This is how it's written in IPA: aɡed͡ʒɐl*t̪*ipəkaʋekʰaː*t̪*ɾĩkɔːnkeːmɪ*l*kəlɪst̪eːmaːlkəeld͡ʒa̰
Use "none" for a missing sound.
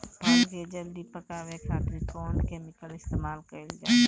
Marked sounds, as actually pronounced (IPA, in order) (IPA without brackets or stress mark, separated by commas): d̪, t̪, none